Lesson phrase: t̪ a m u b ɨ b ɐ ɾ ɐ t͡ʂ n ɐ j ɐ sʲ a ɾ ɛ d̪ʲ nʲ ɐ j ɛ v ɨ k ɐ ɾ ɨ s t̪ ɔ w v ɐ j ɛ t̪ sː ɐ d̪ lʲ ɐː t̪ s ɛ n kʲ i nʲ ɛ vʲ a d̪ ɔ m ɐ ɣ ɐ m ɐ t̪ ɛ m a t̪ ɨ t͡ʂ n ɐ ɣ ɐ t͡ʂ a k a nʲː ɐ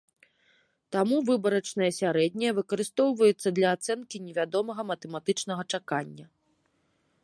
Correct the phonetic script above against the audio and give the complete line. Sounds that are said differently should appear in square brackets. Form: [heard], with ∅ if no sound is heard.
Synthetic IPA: t̪ a m u [v] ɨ b ɐ ɾ ɐ t͡ʂ n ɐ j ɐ sʲ a ɾ ɛ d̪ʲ nʲ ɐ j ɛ v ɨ k ɐ ɾ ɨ s t̪ ɔ w v ɐ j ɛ t̪ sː ɐ d̪ lʲ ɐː t̪ s ɛ n kʲ i nʲ ɛ vʲ a d̪ ɔ m ɐ ɣ ɐ m ɐ t̪ ɛ m a t̪ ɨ t͡ʂ n ɐ ɣ ɐ t͡ʂ a k a nʲː ɐ